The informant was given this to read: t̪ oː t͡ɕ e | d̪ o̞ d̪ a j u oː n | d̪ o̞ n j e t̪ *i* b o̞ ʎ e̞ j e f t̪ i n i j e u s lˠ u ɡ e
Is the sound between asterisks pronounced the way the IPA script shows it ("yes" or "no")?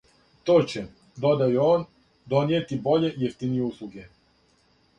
yes